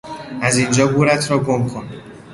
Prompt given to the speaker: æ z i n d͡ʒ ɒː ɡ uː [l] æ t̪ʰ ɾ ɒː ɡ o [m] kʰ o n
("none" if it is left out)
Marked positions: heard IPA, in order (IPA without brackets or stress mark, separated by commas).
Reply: ɾ, m